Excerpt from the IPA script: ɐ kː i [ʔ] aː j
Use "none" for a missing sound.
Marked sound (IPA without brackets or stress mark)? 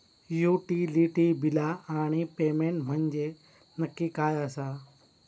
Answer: k